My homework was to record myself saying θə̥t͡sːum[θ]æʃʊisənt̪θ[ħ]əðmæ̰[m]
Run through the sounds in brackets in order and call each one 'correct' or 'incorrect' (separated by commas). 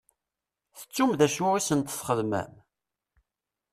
incorrect, incorrect, correct